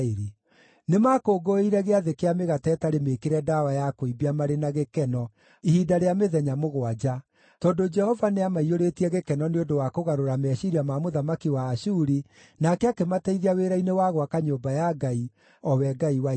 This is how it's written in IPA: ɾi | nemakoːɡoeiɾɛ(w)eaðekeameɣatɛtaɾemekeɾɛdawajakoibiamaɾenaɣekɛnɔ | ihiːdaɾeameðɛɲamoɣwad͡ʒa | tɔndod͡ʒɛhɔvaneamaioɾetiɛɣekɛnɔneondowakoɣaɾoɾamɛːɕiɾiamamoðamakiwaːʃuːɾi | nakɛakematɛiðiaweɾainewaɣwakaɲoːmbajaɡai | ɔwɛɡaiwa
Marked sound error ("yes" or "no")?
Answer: yes